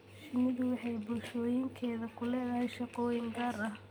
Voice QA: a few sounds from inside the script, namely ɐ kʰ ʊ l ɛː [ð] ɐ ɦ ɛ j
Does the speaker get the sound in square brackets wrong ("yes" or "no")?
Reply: no